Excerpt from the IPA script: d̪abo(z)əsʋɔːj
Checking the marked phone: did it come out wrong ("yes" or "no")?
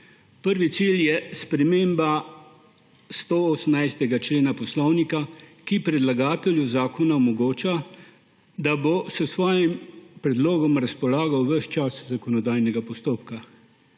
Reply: yes